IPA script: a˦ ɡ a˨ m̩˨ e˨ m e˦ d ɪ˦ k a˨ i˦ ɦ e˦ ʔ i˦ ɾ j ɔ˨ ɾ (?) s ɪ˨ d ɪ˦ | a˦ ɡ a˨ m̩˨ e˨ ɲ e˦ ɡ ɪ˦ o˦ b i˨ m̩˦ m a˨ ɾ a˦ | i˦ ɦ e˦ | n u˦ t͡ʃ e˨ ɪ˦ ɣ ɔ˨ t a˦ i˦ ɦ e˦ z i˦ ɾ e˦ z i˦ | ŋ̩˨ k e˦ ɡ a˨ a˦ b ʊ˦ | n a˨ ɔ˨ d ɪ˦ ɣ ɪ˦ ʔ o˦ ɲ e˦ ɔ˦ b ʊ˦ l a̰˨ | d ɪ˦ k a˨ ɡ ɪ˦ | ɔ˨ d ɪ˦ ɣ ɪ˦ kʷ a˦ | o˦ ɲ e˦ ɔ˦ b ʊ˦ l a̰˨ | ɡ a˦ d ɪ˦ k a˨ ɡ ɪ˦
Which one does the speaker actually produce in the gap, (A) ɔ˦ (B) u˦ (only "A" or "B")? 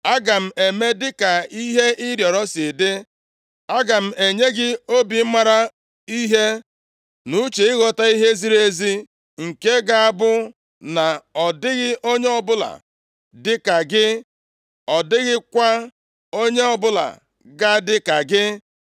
A